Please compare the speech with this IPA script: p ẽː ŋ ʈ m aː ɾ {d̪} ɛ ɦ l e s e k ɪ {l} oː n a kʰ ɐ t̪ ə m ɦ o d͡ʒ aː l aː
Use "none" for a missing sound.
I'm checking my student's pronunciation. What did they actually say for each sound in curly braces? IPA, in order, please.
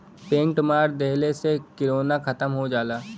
d̪, ɾ

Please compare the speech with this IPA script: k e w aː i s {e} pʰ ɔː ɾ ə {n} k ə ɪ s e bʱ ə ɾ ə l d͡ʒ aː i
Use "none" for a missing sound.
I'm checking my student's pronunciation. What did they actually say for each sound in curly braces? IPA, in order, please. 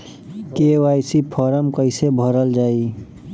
i, m

